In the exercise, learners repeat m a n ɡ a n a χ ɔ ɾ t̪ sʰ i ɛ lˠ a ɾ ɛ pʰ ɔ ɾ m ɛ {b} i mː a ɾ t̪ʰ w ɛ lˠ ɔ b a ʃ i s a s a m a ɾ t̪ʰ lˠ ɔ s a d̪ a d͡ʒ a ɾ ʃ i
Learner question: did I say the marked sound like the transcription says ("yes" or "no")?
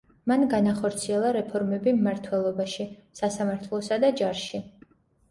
yes